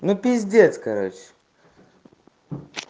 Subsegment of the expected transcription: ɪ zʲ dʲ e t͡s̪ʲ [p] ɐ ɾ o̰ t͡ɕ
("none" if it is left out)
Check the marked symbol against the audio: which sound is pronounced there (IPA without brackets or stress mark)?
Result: k